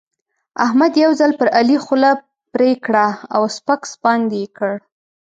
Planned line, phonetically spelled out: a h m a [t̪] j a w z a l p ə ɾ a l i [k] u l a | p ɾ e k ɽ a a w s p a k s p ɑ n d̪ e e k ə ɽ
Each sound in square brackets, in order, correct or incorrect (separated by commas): incorrect, incorrect